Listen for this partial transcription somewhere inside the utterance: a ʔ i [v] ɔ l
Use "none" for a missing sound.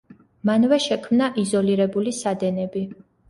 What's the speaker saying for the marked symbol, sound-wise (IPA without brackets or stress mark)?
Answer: z